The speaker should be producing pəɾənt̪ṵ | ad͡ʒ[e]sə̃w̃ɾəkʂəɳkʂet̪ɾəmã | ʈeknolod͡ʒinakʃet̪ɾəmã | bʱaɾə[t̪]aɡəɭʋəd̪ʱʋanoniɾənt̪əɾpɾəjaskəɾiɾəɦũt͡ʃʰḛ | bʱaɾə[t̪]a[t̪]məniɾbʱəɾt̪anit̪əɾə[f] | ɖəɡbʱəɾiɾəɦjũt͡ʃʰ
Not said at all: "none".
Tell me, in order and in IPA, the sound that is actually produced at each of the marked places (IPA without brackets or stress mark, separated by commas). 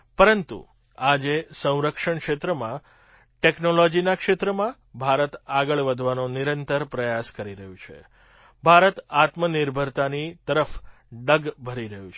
e, t̪, t̪, t̪, f